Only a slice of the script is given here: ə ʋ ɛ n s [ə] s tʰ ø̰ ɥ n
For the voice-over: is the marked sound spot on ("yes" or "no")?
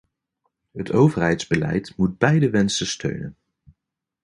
yes